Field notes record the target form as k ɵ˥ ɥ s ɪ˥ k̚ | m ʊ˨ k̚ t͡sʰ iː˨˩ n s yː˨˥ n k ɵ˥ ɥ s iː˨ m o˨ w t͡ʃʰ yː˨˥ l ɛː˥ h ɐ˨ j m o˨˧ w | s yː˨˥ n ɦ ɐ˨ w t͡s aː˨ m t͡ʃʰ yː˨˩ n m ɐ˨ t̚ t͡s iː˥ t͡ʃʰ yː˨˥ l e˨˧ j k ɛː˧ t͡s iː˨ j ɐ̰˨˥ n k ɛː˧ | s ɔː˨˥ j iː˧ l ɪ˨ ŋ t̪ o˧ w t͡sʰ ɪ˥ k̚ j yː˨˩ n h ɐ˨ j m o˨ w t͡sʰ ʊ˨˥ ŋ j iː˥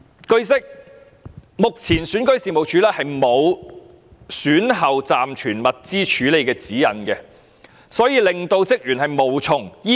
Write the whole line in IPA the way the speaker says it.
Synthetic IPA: k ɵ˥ ɥ s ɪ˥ k̚ | m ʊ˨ k̚ t͡sʰ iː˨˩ n s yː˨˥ n k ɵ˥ ɥ s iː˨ m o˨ w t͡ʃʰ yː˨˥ l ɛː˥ h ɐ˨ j m o˨˧ w | s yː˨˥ n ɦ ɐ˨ w t͡s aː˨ m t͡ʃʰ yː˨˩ n m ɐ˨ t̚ t͡s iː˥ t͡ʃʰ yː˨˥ l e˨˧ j k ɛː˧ t͡s iː˨˥ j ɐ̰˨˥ n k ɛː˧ | s ɔː˨˥ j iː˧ l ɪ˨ ŋ t̪ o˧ w t͡s ɪ˥ k̚ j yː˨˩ n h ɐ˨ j m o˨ w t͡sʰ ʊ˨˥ ŋ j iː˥